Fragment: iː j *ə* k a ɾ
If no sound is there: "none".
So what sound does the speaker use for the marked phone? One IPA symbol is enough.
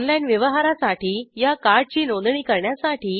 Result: a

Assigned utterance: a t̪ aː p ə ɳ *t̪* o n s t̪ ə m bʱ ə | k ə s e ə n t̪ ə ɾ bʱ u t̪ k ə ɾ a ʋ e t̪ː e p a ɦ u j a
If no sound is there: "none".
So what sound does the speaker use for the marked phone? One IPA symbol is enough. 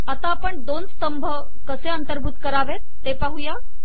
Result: d̪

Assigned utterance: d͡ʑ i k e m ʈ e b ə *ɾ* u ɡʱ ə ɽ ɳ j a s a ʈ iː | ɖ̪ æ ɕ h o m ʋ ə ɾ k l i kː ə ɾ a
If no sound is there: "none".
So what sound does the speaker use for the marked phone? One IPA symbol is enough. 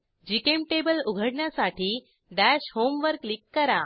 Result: l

